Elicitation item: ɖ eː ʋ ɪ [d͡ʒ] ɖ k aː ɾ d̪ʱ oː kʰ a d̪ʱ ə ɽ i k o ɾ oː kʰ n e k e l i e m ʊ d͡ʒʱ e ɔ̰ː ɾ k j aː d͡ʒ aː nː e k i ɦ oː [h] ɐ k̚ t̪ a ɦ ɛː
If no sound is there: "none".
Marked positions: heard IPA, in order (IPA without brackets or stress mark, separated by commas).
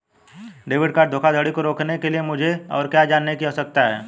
none, s